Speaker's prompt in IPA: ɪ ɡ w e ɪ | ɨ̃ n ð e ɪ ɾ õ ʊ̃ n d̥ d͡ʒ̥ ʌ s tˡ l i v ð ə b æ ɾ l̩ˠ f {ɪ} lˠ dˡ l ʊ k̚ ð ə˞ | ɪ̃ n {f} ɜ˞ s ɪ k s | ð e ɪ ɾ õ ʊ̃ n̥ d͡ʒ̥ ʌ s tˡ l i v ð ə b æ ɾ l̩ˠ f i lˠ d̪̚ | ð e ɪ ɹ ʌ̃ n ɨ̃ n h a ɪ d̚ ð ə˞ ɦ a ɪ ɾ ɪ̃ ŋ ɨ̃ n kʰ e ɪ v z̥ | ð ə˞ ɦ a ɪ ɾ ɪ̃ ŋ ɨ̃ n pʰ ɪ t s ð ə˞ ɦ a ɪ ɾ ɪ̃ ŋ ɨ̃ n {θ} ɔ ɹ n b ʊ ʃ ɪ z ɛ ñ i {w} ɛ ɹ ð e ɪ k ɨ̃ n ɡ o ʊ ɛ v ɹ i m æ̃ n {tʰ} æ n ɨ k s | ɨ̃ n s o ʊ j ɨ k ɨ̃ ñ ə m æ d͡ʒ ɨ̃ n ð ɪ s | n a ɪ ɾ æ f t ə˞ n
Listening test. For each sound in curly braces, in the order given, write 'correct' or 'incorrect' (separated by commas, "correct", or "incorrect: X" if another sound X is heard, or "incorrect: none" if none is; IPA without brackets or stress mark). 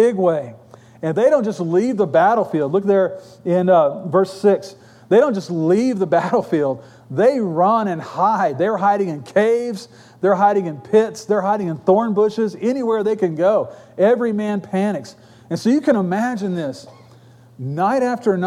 incorrect: i, incorrect: v, correct, correct, incorrect: pʰ